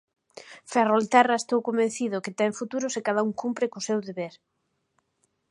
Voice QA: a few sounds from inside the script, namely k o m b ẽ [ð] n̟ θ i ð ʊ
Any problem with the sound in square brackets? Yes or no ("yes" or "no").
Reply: yes